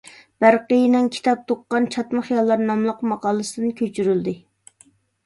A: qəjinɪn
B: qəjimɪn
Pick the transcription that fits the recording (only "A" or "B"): A